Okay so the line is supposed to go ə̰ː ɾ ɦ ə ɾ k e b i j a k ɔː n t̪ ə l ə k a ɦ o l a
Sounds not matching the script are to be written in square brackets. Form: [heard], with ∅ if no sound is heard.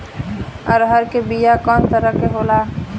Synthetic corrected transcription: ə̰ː ɾ ɦ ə ɾ k e b i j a k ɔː n t̪ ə [ɾ] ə k [e] ɦ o l a